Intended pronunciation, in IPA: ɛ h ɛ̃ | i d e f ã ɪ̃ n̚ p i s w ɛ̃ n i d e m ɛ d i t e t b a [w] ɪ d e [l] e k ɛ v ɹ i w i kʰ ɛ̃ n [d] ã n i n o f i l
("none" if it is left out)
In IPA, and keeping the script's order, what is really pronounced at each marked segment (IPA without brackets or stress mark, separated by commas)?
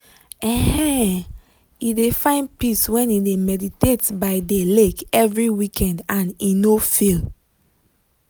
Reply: none, l, d